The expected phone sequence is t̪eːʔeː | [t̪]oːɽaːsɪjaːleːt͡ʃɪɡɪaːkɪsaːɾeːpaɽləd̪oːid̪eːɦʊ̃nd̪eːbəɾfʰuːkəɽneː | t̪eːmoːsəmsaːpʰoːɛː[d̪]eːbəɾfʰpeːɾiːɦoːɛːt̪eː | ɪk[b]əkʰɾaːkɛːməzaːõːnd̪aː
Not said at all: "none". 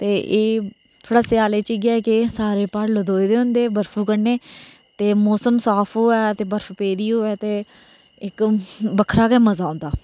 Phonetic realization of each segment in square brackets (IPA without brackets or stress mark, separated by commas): t̪ʰ, t̪, b